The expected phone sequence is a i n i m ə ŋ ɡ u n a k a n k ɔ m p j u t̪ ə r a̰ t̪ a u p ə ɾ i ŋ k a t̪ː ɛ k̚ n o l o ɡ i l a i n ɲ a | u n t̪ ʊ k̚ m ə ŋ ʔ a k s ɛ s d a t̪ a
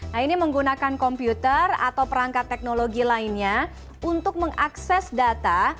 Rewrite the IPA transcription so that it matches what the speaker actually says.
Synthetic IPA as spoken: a i n i m ə ŋ ɡ u n a k a n k ɔ m p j u t̪ ə r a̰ t̪ a w p ə ɾ a ŋ k a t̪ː ɛ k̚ n o l o ɡ i l a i n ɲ a | u n t̪ ʊ k̚ m ə ŋ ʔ a k s ɛ s d a t̪ a